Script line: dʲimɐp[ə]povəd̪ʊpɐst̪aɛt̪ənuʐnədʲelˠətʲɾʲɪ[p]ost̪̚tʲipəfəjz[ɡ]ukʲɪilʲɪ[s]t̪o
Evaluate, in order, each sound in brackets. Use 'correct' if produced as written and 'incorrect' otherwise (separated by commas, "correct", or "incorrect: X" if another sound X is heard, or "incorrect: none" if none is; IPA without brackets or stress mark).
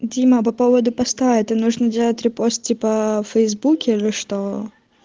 incorrect: ɐ, correct, incorrect: b, incorrect: ʂ